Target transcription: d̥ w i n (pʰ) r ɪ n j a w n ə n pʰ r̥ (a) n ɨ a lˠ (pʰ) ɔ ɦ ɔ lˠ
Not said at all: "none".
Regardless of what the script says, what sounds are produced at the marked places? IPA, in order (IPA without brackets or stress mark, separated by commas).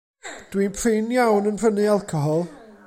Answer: pʰ, ə, kʰ